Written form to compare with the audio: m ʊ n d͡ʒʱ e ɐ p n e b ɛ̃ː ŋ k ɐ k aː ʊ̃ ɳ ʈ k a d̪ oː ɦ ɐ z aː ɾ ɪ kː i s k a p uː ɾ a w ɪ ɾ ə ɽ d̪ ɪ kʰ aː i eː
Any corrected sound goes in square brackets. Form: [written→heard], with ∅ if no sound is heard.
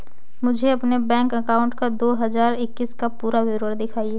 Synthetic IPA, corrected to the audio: m ʊ [n→∅] d͡ʒʱ e ɐ p n e b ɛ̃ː ŋ k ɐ k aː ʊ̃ ɳ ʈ k a d̪ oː ɦ ɐ z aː ɾ ɪ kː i s k a p uː ɾ a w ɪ ɾ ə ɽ d̪ ɪ kʰ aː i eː